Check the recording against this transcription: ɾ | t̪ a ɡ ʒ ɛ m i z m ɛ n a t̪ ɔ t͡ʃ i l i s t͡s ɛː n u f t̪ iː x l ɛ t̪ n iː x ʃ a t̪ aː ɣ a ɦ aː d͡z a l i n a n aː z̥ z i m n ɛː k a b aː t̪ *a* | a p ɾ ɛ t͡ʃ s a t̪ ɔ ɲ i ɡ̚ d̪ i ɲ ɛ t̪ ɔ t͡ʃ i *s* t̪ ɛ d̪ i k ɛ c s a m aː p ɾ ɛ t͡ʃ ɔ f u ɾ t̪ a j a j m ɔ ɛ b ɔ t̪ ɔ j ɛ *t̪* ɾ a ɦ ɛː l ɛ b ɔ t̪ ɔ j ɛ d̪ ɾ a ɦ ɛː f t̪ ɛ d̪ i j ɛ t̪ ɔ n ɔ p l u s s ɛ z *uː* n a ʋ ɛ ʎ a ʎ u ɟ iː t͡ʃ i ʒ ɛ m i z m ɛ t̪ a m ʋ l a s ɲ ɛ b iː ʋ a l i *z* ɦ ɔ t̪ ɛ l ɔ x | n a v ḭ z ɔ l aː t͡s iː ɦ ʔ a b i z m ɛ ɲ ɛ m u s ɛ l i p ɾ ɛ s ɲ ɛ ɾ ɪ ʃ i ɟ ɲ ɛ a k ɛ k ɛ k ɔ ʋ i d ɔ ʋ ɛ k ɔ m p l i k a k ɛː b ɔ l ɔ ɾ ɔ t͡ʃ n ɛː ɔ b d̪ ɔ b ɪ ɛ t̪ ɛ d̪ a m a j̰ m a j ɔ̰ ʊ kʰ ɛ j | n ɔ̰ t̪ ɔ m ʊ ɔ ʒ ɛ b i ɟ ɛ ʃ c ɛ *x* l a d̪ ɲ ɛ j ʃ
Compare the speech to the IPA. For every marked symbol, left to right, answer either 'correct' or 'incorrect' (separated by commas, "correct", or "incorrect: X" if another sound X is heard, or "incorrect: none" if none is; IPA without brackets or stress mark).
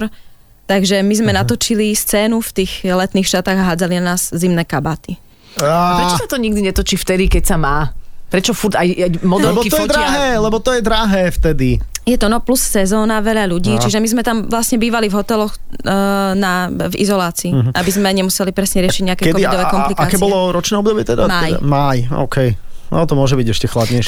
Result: incorrect: i, incorrect: f, incorrect: d̪, incorrect: ɔː, incorrect: v, correct